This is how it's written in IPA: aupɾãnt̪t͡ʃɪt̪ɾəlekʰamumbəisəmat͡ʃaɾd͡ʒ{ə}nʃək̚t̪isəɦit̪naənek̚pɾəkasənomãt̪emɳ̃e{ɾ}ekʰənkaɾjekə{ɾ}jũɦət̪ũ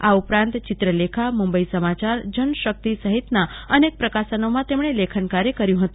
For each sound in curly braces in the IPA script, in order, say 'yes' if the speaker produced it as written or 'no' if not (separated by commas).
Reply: yes, no, yes